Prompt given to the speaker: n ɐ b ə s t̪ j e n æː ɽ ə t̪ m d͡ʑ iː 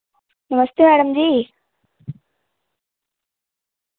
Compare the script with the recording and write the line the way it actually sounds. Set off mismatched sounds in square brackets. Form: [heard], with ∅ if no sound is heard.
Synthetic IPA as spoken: n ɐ [m] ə s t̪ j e [m] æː ɽ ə [∅] m d͡ʑ iː